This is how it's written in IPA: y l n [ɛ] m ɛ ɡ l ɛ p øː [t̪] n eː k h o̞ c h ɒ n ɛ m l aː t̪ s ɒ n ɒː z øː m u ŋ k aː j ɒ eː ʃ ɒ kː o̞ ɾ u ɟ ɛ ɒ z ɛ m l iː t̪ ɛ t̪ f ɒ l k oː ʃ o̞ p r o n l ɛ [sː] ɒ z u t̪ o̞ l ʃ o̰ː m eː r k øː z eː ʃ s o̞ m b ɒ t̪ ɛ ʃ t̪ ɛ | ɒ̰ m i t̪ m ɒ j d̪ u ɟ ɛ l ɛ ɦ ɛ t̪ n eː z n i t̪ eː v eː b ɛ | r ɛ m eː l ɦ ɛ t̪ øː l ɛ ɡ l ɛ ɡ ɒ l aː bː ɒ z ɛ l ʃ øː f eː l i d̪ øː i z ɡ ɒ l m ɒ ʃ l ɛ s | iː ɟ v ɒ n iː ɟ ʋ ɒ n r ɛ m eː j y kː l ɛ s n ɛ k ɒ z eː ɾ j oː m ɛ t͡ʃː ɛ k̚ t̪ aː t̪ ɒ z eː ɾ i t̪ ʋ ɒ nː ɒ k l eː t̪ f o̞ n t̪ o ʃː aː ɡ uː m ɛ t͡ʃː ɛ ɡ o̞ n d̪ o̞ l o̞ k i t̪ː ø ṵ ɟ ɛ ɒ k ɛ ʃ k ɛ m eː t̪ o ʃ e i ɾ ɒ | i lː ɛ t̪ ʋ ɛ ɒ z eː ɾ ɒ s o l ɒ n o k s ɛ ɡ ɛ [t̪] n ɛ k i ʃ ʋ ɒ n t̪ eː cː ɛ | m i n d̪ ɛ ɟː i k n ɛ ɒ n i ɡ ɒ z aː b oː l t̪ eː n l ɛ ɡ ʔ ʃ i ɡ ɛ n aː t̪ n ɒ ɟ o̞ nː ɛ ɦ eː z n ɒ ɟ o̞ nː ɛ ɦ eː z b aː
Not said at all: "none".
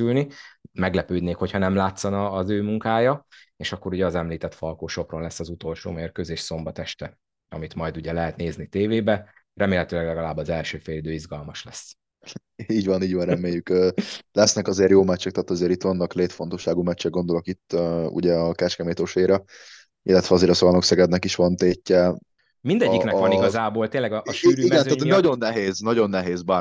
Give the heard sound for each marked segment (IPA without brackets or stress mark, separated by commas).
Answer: i, d̪, sː, d̪